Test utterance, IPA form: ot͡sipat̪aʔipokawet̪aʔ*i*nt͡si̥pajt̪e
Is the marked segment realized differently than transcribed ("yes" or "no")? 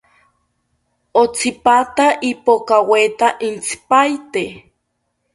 no